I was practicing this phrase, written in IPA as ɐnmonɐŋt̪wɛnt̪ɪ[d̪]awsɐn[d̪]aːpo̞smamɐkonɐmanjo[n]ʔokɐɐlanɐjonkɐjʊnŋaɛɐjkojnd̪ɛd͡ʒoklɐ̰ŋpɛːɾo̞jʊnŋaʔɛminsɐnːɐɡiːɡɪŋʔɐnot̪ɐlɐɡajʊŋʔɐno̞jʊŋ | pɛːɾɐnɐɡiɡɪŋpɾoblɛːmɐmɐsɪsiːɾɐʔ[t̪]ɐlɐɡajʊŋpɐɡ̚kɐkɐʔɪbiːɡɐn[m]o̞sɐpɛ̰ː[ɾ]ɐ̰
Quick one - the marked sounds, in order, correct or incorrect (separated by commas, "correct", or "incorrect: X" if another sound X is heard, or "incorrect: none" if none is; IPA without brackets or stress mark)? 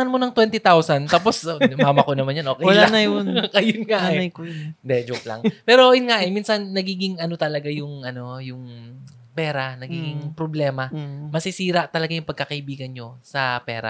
incorrect: t̪, incorrect: t̪, correct, correct, incorrect: ɲ, correct